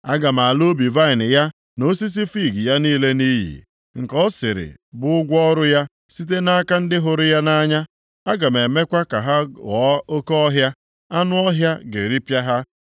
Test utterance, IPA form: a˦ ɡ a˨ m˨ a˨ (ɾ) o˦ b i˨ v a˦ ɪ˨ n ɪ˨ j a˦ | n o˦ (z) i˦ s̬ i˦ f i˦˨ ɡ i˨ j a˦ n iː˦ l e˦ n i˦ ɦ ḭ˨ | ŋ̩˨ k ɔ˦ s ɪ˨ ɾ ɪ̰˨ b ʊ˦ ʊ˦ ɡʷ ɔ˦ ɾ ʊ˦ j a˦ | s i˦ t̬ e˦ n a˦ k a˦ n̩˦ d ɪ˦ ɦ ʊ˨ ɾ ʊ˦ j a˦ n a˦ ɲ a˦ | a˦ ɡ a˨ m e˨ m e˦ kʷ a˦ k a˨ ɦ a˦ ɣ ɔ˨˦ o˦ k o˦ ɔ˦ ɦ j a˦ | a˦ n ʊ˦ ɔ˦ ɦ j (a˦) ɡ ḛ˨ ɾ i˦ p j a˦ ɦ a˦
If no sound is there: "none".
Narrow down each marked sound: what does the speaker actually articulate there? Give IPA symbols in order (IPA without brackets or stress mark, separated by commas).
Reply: l, s, a˦